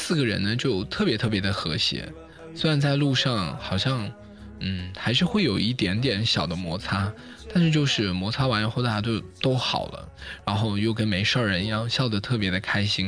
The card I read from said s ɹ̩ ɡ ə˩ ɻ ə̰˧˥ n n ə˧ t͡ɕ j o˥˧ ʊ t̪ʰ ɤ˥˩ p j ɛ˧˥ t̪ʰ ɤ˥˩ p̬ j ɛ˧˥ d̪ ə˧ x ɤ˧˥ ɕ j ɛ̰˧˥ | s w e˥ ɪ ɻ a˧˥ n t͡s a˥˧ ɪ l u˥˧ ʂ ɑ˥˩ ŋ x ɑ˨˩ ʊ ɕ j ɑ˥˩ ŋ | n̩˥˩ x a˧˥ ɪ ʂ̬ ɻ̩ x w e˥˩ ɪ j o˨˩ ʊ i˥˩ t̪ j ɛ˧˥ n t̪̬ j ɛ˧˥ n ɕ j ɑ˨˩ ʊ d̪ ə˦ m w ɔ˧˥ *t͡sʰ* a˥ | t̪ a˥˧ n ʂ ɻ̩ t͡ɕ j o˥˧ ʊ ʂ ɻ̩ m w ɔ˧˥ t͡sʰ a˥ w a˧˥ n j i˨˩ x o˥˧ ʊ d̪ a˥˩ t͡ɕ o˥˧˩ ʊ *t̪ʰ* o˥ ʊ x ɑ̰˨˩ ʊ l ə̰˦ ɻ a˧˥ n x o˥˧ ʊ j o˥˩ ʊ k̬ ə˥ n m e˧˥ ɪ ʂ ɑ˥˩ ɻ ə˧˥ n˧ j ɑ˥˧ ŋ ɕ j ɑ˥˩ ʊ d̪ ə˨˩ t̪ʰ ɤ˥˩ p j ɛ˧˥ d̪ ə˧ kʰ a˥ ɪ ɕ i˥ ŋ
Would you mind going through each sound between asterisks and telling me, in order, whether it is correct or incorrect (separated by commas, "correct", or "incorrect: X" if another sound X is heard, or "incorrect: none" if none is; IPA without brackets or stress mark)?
correct, incorrect: t̪